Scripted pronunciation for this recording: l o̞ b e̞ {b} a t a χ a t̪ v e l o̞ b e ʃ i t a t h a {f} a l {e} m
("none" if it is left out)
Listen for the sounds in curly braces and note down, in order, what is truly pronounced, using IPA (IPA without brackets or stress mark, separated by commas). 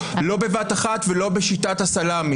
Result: v, s, a